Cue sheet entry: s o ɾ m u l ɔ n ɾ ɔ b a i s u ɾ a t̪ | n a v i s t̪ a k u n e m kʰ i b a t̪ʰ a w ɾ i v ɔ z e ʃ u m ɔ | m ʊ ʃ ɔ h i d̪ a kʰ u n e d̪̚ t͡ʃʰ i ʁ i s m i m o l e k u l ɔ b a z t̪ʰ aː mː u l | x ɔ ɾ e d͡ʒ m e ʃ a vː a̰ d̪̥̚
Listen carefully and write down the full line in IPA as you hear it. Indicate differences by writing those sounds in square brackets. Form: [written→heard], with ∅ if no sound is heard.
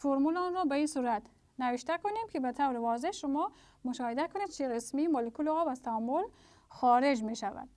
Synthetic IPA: [s→f] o ɾ m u l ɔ n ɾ ɔ b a i s u ɾ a t̪ | n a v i [s→ʃ] t̪ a k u n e m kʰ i b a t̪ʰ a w ɾ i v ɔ z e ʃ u m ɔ | m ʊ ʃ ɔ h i d̪ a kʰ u n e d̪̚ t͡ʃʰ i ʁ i s m i m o l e k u l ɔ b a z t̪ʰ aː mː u l | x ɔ ɾ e d͡ʒ m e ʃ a [vː→v] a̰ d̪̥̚